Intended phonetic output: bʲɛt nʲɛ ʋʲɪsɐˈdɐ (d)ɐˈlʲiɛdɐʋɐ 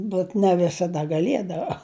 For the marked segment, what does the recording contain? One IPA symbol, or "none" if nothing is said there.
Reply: ɡ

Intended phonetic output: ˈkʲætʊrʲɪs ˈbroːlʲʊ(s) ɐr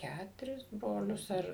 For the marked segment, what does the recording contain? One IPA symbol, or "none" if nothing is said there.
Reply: s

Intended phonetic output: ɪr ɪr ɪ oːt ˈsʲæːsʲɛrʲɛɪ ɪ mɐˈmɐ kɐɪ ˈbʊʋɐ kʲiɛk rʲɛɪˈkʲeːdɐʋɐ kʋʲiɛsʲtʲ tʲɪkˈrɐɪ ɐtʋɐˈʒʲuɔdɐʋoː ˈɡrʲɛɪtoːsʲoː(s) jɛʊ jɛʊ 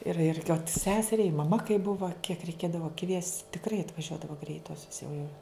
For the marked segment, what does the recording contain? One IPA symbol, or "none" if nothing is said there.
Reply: s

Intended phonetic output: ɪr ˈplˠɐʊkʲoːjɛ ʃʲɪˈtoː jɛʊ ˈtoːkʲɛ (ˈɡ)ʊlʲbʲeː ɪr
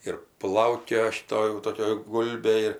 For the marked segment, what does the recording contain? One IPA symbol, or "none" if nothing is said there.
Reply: ɡ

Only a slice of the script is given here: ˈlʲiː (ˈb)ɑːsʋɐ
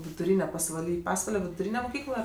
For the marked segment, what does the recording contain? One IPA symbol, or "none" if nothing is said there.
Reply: p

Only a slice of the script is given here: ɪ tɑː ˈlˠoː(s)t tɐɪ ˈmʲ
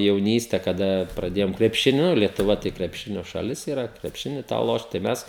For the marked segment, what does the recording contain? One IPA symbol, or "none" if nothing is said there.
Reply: ʃ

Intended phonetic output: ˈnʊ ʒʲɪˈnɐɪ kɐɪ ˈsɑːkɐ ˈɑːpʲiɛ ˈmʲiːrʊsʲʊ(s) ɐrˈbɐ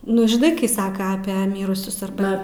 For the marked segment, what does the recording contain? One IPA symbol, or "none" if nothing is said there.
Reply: s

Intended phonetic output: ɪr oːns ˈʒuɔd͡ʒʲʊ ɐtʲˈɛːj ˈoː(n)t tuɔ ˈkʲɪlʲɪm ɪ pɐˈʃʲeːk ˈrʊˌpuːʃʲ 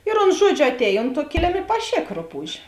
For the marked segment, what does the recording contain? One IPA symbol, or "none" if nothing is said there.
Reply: n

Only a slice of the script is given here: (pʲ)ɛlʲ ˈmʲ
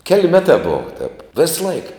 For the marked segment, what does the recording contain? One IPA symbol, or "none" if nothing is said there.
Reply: kʲ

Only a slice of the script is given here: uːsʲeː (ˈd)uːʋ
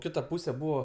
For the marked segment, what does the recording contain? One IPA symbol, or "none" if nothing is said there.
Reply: b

